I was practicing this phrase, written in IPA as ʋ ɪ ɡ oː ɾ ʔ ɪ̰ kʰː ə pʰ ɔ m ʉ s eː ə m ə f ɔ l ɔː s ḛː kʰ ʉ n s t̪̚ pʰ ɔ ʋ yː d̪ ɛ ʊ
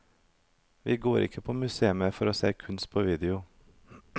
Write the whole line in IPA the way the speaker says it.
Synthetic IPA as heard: ʋ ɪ ɡ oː ɾ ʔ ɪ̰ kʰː ə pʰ ɔ m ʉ s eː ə m ə f ɔ ɾ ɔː s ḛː kʰ ʉ n s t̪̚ pʰ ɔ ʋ iː d̪ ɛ ʊ